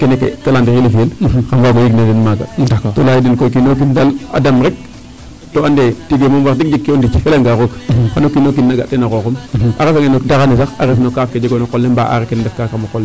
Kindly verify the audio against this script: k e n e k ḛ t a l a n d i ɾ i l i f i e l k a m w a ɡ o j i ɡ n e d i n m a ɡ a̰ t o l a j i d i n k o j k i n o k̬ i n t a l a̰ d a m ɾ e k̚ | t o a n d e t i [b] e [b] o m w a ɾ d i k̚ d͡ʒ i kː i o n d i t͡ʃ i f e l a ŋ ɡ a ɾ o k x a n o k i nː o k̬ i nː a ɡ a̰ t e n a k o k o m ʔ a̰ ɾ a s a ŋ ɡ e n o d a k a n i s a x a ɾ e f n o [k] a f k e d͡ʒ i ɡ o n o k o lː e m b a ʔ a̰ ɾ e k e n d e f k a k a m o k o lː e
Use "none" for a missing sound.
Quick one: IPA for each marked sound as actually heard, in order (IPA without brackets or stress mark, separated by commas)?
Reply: ɡ, m, k